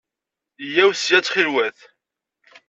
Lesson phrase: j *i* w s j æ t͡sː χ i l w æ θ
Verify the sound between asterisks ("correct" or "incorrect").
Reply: incorrect